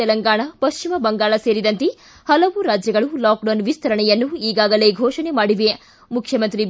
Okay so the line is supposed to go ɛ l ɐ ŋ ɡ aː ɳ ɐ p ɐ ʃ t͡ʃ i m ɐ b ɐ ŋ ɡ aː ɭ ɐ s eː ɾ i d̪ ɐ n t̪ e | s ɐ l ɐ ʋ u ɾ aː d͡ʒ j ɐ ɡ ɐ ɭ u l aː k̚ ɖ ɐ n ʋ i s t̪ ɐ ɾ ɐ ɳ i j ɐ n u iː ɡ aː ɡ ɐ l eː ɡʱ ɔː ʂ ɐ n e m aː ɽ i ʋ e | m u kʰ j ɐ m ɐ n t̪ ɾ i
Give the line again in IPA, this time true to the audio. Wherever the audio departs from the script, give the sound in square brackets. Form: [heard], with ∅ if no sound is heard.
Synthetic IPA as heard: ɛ l ɐ ŋ ɡ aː ɳ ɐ p ɐ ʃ t͡ʃ i m ɐ b ɐ ŋ ɡ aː ɭ ɐ s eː ɾ i d̪ ɐ n t̪ e | [h] ɐ l ɐ ʋ u ɾ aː d͡ʒ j ɐ ɡ ɐ ɭ u l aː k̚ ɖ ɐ n ʋ i s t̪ ɐ ɾ ɐ ɳ [ɛ] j ɐ [nː] u iː ɡ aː ɡ ɐ l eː ɡʱ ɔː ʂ ɐ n e m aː ɽ i ʋ e | m u kʰ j ɐ m ɐ n t̪ ɾ i